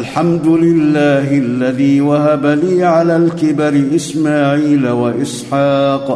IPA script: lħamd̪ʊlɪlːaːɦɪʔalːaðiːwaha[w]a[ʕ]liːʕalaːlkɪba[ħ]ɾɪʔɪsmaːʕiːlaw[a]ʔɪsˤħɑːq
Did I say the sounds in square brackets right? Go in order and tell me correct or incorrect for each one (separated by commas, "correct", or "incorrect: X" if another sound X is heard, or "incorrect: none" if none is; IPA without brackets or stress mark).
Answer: incorrect: b, incorrect: none, incorrect: none, correct